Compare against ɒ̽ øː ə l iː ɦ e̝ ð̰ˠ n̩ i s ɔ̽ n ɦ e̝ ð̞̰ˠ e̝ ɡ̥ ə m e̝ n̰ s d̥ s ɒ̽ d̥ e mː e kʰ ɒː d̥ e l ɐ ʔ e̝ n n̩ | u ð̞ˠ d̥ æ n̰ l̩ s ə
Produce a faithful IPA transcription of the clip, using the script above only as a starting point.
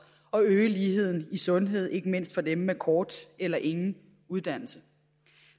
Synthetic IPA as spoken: ɒ̽ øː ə l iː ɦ e̝ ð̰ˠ n̩ i s ɔ̽ n ɦ e̝ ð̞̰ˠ e̝ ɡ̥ ə m e̝ n̰ s d̥ f ɒ̽ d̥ e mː e kʰ ɒː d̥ e l ɐ ʔ e̝ ŋ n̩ | u ð̞ˠ d̥ æ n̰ l̩ s ə